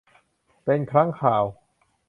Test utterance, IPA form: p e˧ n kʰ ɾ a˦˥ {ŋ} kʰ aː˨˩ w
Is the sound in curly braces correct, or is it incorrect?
correct